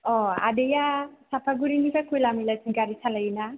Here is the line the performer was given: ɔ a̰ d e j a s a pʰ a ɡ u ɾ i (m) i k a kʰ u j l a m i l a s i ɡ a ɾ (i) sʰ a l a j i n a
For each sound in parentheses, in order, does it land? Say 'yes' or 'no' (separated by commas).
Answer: no, yes